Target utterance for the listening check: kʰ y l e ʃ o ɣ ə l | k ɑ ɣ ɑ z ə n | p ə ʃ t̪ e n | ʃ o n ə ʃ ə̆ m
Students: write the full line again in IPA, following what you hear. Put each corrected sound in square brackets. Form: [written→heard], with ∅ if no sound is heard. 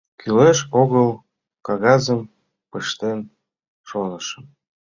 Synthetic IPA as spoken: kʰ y l e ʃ o ɣ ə l | k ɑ ɣ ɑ z ə [n→m] | p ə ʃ t̪ e n | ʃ o n ə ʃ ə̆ m